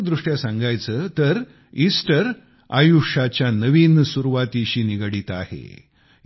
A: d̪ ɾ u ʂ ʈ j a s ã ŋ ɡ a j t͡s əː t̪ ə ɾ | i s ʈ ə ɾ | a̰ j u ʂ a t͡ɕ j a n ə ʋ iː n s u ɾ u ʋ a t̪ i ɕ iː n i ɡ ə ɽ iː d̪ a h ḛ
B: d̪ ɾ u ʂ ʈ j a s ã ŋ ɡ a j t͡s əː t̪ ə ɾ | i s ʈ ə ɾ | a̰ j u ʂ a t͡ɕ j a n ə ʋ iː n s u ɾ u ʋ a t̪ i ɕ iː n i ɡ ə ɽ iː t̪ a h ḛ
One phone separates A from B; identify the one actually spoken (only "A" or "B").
B